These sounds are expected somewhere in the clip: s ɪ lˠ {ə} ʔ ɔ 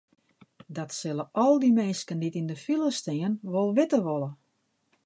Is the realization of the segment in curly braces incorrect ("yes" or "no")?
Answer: no